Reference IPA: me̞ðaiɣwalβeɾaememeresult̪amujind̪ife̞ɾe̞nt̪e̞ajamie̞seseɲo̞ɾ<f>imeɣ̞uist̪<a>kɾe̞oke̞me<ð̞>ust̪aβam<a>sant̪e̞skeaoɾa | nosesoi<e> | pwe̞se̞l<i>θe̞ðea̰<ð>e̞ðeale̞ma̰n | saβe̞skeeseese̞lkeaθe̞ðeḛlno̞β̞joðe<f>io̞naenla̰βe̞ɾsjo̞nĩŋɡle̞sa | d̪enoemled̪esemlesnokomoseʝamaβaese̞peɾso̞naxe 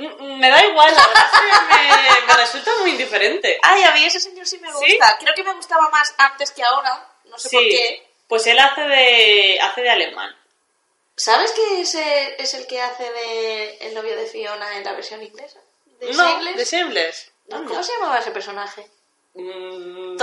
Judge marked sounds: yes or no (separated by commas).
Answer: no, yes, no, yes, yes, no, no, yes